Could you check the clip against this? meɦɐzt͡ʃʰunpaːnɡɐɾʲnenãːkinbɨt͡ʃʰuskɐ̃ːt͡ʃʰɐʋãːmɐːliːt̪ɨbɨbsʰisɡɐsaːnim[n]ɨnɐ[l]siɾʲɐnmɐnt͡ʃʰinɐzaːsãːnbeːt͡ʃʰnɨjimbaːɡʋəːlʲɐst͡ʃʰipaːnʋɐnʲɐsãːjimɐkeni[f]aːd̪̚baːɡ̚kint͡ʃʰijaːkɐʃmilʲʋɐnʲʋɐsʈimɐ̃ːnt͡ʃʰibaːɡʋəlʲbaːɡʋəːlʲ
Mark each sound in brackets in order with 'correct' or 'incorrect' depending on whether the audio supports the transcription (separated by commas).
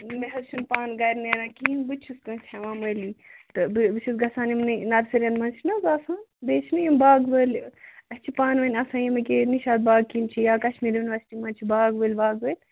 correct, incorrect, incorrect